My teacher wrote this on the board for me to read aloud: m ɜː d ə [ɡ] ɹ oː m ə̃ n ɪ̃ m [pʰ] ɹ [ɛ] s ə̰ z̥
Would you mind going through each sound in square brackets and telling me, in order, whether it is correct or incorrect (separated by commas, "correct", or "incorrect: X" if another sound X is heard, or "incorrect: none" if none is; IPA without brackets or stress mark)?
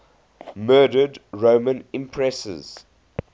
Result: incorrect: d, correct, correct